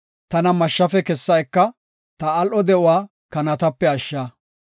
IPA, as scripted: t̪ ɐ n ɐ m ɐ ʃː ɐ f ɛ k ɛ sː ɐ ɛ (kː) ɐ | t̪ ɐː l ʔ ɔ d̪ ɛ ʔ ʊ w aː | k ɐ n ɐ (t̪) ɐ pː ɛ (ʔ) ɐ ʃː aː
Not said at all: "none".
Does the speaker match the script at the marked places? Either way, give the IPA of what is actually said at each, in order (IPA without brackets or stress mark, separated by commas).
kː, t̪, none